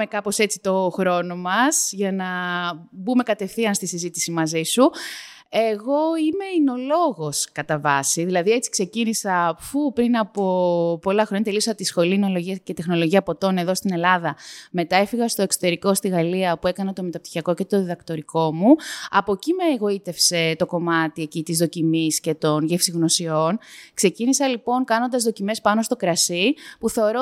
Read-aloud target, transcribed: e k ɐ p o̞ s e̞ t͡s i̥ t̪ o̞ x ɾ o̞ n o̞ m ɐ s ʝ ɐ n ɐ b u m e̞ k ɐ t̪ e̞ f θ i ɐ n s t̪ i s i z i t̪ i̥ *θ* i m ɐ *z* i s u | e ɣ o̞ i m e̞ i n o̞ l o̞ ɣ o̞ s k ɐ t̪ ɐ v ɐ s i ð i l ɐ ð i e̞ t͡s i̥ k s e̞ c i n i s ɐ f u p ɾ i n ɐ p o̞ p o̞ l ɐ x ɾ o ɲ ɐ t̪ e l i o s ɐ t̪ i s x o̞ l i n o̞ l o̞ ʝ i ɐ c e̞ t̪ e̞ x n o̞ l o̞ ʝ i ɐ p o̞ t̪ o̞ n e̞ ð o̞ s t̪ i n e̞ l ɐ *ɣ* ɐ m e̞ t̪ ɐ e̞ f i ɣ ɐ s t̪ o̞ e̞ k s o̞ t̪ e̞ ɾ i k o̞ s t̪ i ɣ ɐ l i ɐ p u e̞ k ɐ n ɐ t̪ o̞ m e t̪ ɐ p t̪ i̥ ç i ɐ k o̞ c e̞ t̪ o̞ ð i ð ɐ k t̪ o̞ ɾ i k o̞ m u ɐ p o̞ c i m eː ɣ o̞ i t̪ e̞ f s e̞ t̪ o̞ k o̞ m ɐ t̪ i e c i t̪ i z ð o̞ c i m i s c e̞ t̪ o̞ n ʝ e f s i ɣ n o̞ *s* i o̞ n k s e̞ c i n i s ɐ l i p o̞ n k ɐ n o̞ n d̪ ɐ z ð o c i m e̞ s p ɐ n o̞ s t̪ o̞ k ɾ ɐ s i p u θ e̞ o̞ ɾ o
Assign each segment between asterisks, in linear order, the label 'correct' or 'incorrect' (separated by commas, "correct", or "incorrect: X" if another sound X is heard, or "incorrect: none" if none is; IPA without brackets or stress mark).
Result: incorrect: s, correct, incorrect: ð, correct